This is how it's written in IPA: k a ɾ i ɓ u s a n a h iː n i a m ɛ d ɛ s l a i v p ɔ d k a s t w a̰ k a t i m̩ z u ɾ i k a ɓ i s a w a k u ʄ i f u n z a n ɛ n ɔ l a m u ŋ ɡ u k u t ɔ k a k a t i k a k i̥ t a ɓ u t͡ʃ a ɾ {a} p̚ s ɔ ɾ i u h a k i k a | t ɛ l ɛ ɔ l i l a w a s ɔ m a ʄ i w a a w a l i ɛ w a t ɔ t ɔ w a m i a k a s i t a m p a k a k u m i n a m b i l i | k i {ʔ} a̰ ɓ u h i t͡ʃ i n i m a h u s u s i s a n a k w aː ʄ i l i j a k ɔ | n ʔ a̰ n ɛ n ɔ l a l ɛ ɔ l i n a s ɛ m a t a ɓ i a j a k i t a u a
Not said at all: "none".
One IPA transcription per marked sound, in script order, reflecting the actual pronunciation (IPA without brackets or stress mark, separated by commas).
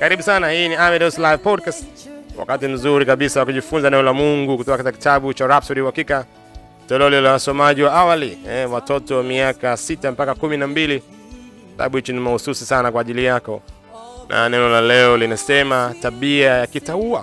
a, t